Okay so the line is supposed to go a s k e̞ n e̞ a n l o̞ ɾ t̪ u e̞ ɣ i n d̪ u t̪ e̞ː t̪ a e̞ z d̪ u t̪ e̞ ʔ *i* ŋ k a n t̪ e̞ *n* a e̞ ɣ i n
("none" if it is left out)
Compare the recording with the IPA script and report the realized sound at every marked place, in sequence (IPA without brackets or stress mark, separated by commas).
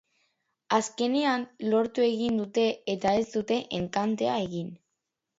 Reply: e, none